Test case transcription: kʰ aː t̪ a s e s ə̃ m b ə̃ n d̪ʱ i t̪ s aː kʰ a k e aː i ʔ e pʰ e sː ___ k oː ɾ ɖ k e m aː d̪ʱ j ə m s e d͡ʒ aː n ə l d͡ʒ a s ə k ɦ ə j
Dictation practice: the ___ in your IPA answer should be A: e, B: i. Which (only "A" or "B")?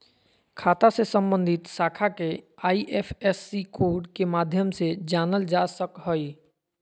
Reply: B